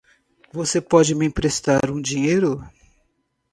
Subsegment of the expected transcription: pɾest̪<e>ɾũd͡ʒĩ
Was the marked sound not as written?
yes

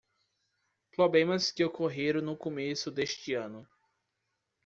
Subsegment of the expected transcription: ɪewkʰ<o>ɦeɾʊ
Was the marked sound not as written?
no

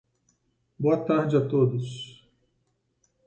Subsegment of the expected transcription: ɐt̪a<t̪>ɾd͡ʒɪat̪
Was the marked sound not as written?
yes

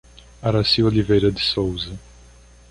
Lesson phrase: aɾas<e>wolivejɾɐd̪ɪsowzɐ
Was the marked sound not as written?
yes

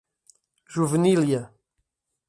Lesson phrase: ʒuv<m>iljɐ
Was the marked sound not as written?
yes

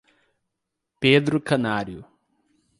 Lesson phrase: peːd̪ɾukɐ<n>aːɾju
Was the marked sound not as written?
no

